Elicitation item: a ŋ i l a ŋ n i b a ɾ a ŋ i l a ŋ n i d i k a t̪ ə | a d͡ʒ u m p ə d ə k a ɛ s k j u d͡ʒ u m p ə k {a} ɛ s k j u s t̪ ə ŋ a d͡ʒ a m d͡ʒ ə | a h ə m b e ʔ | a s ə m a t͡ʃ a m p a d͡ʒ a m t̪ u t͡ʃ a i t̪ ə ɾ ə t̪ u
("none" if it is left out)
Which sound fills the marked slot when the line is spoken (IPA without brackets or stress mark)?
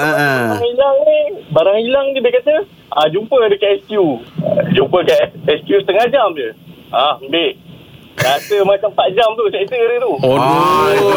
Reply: a